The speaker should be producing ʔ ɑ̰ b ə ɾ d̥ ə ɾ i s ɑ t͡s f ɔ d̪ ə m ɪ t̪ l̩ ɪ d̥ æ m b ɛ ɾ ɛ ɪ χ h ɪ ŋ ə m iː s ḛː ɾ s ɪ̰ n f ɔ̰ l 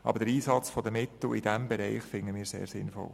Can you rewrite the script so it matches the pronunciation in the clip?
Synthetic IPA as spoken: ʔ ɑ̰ b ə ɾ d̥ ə ɾ iː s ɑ t͡s f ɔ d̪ ə m ɪ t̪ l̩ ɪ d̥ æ m b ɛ ɾ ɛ ɪ χ f ɪ ŋ ə m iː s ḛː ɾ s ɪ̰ n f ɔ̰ l